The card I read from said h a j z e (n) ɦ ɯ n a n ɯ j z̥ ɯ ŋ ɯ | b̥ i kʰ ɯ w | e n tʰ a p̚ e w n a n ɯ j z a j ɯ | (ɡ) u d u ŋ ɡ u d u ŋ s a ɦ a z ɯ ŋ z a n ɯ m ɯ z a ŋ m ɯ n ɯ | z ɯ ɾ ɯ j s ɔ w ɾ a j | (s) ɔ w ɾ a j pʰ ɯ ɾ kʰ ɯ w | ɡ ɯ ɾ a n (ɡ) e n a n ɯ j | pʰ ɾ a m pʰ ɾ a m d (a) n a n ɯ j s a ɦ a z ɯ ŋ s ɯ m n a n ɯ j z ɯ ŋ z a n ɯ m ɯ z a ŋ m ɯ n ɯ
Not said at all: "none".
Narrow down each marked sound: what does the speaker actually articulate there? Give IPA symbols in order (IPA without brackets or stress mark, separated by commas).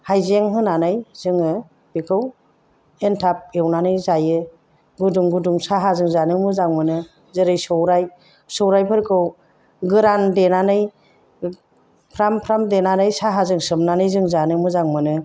ŋ, ɡ, s, d, e